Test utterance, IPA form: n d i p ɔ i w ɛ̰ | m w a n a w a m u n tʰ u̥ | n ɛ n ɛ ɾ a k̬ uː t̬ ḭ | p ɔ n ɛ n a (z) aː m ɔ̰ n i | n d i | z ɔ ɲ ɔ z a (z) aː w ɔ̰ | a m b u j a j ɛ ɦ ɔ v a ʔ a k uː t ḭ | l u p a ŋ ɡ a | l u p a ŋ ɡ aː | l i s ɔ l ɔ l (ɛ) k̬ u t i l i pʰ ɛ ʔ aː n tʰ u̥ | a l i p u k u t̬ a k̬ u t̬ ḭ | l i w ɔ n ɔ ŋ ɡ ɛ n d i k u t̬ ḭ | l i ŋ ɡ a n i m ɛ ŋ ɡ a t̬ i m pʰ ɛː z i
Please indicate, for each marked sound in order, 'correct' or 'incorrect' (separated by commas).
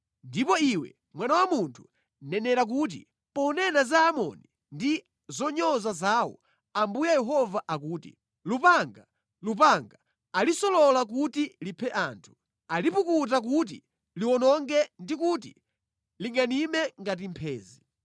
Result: correct, correct, incorrect